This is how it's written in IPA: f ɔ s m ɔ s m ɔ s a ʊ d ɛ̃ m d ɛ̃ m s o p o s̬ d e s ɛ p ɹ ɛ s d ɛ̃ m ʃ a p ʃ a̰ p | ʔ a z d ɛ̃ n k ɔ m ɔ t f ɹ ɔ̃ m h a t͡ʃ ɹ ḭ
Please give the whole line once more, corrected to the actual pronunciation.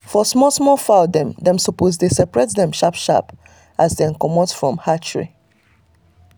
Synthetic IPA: f ɔ s m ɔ s m ɔ f a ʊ d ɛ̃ m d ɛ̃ m s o p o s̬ d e s ɛ p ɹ ɛ t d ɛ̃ m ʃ a p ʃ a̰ p | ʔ a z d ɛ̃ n k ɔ m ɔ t f ɹ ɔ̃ m h a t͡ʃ ɹ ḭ